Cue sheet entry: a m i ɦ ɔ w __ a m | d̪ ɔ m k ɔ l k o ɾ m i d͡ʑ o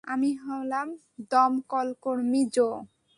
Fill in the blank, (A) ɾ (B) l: B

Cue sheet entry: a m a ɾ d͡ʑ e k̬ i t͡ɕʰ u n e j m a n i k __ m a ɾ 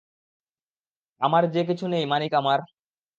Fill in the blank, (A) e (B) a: B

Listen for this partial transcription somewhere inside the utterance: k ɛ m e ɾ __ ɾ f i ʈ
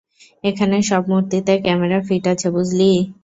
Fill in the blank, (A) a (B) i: A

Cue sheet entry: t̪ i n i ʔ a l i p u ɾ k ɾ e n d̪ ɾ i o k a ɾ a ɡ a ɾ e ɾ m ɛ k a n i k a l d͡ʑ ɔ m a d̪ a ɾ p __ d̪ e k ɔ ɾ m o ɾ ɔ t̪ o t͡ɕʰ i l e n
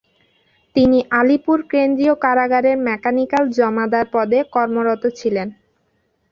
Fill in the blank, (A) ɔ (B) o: A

